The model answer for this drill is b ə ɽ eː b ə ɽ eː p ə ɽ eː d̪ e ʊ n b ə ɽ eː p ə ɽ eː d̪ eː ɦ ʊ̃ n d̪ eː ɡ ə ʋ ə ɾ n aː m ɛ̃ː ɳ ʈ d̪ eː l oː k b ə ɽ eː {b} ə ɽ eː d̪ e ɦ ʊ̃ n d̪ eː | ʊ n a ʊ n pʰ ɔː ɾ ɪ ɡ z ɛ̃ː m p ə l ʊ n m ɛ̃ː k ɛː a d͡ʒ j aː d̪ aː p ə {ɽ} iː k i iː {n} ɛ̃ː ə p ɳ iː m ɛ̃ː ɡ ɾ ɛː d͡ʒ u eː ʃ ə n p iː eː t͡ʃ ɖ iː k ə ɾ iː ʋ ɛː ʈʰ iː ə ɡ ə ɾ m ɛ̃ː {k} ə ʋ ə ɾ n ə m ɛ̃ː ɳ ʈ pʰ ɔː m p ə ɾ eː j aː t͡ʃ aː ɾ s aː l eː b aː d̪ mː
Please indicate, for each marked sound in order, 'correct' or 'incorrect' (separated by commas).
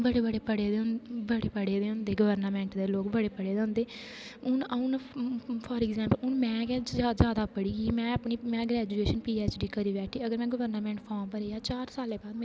incorrect, correct, incorrect, incorrect